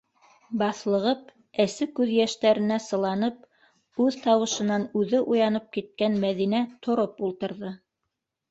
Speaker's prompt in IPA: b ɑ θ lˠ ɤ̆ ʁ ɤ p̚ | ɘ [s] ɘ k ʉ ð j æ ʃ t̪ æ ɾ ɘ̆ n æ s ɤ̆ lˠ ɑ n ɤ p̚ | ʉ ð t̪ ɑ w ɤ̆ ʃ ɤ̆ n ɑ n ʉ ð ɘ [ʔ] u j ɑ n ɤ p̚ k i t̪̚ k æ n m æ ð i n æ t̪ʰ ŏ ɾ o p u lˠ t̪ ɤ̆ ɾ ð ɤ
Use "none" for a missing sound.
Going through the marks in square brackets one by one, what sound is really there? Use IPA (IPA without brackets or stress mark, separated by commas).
s, ʔ